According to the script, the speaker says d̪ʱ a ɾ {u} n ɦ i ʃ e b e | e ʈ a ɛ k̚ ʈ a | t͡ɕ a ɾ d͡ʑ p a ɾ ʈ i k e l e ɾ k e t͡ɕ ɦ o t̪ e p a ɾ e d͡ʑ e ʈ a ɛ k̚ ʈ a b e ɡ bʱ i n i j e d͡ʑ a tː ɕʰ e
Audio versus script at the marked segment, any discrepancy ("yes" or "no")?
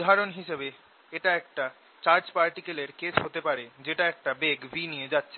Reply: yes